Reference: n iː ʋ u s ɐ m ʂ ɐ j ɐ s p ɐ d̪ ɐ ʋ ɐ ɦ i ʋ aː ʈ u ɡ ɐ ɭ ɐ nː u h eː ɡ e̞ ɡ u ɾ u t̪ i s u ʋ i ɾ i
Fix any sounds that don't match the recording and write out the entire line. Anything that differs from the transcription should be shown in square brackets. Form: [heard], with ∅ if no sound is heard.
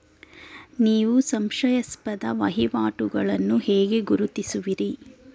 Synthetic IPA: n iː ʋ u s ɐ m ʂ ɐ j ɐ s p ɐ d̪ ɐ ʋ ɐ ɦ i ʋ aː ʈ u ɡ ɐ ɭ ɐ nː u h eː ɡ e̞ ɡ u ɾ u t̪ i s u ʋ i ɾ i